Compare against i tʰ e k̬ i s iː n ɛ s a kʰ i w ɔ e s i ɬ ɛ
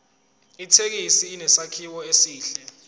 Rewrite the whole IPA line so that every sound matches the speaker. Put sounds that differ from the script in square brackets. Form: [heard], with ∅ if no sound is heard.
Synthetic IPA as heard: i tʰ e k̬ i s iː n ɛ s a kʰ i w ɔ e s [iː] ɬ ɛ

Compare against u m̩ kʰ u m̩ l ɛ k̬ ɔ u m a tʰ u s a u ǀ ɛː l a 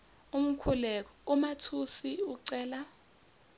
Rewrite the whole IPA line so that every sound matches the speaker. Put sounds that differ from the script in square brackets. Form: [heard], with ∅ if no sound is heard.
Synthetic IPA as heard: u m̩ kʰ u [∅] l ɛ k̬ ɔ u m a tʰ u s [i] u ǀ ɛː l a

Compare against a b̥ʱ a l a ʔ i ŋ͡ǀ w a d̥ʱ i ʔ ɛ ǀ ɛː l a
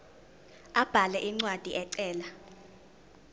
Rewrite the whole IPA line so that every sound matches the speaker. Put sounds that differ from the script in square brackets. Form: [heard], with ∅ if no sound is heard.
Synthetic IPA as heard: a b̥ʱ a l [ɛ] ʔ i ŋ͡ǀ w a d̥ʱ i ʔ ɛ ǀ ɛː l a

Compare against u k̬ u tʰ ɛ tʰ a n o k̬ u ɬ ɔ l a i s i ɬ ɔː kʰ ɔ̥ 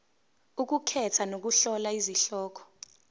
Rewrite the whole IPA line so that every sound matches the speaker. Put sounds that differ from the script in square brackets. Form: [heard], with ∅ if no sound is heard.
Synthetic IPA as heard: u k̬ u [kʰ] ɛ tʰ a n o k̬ u ɬ ɔ l a i [z] i ɬ ɔː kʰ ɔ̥

